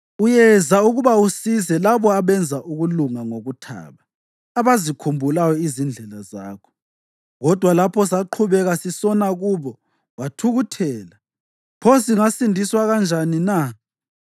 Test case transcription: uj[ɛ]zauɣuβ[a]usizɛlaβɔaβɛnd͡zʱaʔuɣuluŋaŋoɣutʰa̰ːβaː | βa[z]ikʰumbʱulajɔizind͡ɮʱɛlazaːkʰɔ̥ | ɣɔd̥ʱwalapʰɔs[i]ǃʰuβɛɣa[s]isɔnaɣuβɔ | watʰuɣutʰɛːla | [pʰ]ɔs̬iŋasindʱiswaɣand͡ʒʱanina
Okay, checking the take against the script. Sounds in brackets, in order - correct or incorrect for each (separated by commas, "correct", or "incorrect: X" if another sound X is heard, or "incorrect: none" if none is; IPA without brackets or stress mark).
correct, correct, correct, incorrect: a, correct, correct